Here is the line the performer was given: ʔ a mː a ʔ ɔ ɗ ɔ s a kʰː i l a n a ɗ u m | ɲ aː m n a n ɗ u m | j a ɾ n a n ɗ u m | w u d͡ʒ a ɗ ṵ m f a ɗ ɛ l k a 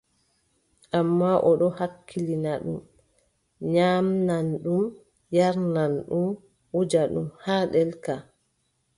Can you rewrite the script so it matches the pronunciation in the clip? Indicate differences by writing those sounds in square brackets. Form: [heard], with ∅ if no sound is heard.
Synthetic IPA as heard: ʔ a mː a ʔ ɔ ɗ ɔ [h] a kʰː i l [i] n a ɗ u m | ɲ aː m n a n ɗ u m | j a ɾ n a n ɗ u m | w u d͡ʒ a ɗ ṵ m [h] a ɗ ɛ l k a